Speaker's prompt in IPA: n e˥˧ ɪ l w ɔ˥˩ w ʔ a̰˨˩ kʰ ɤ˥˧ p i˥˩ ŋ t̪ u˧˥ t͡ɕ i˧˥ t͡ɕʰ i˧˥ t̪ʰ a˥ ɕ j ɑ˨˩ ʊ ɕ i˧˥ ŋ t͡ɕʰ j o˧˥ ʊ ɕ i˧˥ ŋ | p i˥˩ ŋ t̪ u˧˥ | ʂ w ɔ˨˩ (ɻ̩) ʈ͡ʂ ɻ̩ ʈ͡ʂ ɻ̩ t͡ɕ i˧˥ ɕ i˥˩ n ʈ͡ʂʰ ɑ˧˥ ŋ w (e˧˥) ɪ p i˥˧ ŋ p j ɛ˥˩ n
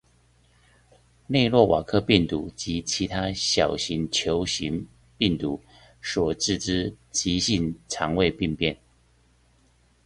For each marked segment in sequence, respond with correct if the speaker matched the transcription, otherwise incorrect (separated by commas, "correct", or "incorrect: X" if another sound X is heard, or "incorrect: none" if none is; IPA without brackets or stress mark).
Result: incorrect: none, incorrect: e˥˧